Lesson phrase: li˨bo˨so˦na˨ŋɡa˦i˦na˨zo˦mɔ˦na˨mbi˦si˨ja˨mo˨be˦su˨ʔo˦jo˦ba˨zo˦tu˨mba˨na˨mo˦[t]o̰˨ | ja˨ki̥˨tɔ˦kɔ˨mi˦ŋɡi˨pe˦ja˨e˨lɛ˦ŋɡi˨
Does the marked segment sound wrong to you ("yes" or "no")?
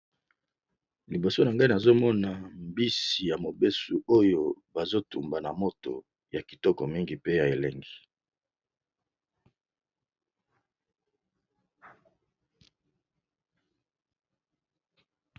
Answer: no